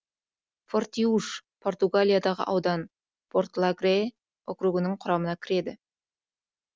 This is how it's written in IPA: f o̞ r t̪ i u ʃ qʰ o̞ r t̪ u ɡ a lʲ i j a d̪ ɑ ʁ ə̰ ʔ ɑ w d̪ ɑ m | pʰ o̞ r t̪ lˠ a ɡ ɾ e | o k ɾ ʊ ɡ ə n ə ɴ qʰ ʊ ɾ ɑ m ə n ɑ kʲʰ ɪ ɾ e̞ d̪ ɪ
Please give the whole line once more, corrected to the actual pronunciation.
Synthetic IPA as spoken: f o̞ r t̪ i u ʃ pʰ o̞ r t̪ u ɡ a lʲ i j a d̪ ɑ ʁ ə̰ ʔ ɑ w d̪ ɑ n | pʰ o̞ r t̪ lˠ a ɡ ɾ e | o k ɾ u ɡ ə n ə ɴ qʰ ʊ ɾ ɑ m ə n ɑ kʲʰ ɪ ɾ e̞ d̪ ɪ